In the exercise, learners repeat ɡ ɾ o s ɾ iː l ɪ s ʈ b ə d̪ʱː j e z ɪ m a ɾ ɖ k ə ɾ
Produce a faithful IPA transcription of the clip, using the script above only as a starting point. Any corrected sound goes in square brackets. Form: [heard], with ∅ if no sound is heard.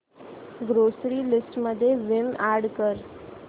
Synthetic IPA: ɡ ɾ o s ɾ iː l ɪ s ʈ [m] ə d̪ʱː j e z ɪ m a ɾ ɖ k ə ɾ